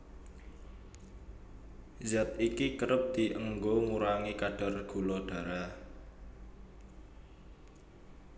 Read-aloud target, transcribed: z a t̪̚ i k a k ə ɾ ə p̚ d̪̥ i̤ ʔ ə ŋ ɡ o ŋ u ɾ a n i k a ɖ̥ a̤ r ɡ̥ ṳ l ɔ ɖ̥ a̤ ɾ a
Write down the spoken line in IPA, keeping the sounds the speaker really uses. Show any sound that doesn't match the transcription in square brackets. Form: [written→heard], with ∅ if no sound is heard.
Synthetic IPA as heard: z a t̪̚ i k [a→i] k ə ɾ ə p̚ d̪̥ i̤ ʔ ə ŋ ɡ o ŋ u ɾ a [n→ŋ] i k a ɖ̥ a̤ r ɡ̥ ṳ l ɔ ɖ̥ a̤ ɾ a